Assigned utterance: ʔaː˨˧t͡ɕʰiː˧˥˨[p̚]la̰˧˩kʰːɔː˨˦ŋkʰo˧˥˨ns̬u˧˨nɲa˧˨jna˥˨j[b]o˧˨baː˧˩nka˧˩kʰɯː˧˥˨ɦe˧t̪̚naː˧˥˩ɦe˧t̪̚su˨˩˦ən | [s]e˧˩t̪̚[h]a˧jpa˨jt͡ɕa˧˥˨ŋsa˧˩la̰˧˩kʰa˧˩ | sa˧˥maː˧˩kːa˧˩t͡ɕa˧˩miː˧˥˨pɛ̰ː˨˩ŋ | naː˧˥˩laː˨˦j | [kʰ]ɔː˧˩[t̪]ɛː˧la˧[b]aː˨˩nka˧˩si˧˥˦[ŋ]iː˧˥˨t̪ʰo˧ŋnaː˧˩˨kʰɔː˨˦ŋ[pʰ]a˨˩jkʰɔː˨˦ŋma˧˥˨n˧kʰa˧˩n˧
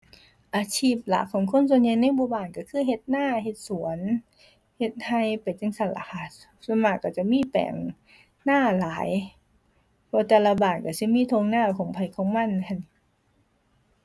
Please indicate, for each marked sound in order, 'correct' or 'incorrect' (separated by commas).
correct, correct, incorrect, correct, incorrect, correct, correct, incorrect, correct